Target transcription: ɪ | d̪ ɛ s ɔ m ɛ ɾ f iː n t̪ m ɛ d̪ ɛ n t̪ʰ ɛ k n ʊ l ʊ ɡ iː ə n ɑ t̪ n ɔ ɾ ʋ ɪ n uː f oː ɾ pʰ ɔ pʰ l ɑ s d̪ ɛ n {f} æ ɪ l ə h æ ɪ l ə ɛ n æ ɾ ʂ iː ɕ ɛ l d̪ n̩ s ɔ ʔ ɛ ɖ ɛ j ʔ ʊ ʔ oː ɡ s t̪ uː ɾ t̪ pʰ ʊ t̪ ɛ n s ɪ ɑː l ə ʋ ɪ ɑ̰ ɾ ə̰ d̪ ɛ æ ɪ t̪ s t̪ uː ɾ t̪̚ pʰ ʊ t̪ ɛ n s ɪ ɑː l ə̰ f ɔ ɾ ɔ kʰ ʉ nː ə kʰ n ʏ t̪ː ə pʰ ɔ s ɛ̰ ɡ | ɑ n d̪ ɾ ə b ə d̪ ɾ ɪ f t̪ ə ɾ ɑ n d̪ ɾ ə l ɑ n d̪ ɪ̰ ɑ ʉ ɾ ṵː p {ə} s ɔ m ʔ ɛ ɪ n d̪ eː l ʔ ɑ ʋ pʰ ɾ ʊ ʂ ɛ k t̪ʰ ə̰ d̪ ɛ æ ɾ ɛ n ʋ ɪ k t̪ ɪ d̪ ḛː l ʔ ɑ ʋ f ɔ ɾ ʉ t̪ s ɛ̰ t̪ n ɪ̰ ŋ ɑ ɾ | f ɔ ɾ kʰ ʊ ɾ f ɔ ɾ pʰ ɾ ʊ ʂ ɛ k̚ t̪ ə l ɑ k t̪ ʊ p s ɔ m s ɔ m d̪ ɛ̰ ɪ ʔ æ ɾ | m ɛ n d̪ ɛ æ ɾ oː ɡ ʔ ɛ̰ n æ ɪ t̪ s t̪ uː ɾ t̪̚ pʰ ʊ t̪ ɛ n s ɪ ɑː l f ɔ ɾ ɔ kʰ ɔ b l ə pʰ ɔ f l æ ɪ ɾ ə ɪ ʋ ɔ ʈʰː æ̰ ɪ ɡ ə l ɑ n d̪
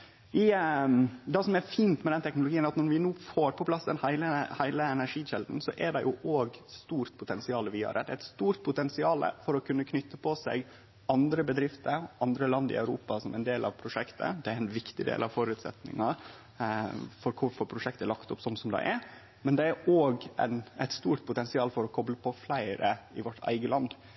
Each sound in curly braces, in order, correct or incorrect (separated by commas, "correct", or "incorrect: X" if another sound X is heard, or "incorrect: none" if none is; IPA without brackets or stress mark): incorrect: h, incorrect: ɑ